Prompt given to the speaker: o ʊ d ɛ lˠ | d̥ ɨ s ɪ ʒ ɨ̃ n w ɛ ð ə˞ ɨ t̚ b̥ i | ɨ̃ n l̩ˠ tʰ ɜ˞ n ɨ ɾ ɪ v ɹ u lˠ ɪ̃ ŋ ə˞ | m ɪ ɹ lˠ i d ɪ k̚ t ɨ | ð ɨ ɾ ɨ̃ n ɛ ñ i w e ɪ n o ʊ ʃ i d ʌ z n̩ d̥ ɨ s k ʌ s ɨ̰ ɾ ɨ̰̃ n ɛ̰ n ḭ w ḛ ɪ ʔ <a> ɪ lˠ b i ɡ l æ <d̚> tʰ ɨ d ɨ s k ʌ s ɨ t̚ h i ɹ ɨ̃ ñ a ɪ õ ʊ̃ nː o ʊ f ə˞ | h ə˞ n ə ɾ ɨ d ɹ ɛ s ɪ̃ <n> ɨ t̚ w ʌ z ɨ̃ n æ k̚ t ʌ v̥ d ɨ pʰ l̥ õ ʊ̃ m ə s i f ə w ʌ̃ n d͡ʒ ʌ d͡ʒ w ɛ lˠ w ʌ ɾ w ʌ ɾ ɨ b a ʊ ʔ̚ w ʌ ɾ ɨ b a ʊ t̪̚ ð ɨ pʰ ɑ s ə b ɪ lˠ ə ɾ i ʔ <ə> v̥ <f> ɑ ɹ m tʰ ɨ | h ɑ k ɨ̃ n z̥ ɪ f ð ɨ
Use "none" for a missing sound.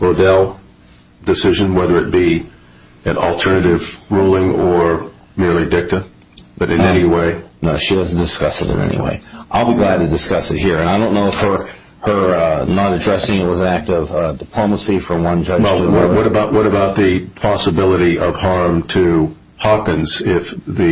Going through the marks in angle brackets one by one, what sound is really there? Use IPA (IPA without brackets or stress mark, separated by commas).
a, d̚, ŋ, ʌ, h